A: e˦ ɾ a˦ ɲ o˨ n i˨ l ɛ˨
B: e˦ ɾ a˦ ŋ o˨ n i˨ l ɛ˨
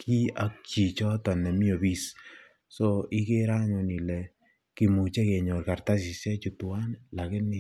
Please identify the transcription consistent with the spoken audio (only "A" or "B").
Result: A